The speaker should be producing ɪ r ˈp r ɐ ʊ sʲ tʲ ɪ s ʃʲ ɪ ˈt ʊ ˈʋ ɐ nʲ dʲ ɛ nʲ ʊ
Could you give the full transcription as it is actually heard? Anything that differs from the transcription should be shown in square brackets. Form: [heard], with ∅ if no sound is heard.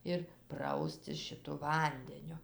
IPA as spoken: ɪ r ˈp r ɐ ʊ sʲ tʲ ɪ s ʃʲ ɪ ˈt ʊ ˈʋ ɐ nʲ dʲ ɛ nʲ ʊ